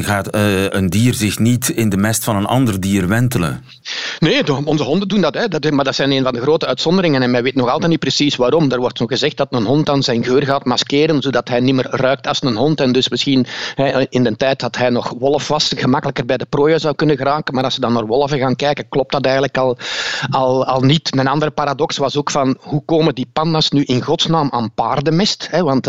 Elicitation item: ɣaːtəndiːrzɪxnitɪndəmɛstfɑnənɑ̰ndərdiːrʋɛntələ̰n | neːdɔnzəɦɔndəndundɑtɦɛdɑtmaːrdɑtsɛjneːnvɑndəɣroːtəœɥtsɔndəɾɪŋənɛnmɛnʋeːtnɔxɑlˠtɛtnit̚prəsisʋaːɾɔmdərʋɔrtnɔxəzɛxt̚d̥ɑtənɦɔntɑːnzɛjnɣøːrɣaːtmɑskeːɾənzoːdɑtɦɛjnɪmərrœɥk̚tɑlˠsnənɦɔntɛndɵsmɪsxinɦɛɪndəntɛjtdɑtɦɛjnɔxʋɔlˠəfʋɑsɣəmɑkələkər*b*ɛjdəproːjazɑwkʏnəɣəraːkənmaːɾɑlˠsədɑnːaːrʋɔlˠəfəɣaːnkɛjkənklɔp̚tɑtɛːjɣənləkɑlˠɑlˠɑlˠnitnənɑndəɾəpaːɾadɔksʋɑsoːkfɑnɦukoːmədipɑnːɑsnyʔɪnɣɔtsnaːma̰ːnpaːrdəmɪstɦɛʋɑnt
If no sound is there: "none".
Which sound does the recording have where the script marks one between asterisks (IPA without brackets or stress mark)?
b